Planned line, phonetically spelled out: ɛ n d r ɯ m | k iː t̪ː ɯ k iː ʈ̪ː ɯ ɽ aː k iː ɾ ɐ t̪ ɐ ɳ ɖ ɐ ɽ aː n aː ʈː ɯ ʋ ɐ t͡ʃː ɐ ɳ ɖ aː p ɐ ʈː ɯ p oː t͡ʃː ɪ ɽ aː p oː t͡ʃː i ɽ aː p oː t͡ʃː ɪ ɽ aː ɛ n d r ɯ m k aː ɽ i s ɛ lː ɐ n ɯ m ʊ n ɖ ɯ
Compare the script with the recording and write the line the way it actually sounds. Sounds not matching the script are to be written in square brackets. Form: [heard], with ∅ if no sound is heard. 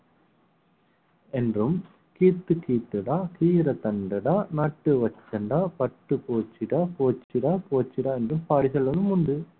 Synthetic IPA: ɛ n d r ɯ m | k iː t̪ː ɯ k iː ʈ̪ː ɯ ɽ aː k iː ɾ ɐ t̪ ɐ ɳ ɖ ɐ ɽ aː n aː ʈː ɯ ʋ ɐ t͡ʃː ɐ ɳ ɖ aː p ɐ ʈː ɯ p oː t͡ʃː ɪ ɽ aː p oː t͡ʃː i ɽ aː p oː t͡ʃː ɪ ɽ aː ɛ n d r ɯ m [p] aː ɽ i s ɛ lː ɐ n ɯ m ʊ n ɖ ɯ